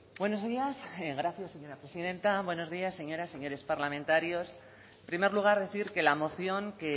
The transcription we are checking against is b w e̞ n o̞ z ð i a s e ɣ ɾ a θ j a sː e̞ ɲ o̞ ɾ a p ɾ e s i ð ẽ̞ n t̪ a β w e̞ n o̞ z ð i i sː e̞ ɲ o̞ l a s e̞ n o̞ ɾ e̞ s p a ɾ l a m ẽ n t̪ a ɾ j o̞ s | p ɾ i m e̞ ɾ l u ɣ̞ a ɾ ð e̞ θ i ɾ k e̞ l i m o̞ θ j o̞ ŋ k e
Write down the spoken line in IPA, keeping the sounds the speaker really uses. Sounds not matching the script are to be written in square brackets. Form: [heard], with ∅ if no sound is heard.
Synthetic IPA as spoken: b w e̞ n o̞ z ð i a s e ɣ ɾ a θ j a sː e̞ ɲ o̞ ɾ a p ɾ e s i ð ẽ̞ n t̪ a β w e̞ n o̞ z ð i [a] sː e̞ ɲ o̞ [ɾ] a s e̞ [ɲ] o̞ ɾ e̞ s p a ɾ l a m ẽ n t̪ a ɾ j o̞ s | p ɾ i m e̞ ɾ l u ɣ̞ a ɾ ð e̞ θ i ɾ k e̞ l [a] m o̞ θ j o̞ ŋ k e